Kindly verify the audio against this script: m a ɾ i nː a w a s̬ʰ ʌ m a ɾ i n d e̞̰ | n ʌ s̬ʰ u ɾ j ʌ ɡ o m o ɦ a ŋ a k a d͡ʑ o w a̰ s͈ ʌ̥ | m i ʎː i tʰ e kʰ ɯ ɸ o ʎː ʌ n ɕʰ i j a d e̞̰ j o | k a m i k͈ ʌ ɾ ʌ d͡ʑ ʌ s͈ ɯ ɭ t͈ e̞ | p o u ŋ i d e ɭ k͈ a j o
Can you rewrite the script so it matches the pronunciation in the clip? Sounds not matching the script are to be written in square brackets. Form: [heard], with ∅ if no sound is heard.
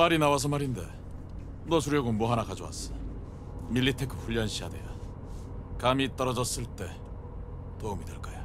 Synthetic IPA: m a ɾ i [n] a w a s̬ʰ ʌ m a ɾ i n d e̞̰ | n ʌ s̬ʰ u ɾ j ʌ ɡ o m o ɦ a [n] a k a d͡ʑ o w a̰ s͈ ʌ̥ | m i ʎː i tʰ e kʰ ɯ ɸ [u] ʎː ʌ n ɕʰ i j a d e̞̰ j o | k a m i [t͈] ʌ ɾ ʌ d͡ʑ ʌ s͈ ɯ ɭ t͈ e̞ | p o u [m] i d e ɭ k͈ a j o